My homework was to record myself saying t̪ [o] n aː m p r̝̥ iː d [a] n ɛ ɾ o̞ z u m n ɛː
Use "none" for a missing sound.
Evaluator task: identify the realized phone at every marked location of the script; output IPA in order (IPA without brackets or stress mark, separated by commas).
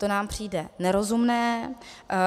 o, ɛ